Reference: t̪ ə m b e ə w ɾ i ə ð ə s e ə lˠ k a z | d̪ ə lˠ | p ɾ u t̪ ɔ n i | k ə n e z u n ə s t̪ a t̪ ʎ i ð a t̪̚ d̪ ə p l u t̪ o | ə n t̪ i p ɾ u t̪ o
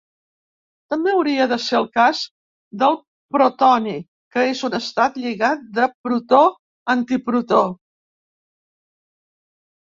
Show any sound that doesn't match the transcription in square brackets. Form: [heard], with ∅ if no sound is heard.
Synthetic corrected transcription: t̪ ə m b e ə w ɾ i ə ð ə s e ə lˠ k a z | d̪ ə lˠ | p ɾ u t̪ ɔ n i | k ə [∅] e z u n ə s t̪ a t̪ ʎ i [ɣ] a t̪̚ d̪ ə p [ɾ] u t̪ o | ə n t̪ i p ɾ u t̪ o